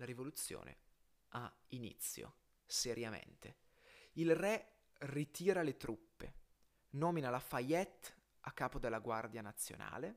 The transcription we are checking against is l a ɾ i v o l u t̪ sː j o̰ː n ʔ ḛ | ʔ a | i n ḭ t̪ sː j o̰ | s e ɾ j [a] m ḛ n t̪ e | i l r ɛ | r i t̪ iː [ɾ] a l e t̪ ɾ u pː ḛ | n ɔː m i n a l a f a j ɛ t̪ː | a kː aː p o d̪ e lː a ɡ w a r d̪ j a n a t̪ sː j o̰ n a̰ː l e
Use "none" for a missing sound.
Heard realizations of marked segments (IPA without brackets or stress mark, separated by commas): a, ɾ